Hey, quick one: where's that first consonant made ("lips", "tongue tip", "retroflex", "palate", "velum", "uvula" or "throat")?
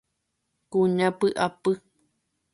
velum